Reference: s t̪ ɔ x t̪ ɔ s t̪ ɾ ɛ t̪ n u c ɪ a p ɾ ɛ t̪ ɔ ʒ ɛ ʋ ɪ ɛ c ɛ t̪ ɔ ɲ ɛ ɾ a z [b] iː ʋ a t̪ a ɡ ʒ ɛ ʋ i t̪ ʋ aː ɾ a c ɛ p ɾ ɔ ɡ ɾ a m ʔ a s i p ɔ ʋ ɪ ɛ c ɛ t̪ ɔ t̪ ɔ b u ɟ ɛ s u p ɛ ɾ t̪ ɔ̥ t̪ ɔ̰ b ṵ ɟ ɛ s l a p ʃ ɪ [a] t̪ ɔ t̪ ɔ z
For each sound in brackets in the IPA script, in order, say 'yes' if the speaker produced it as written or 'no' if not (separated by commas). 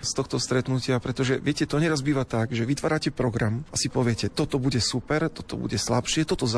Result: yes, no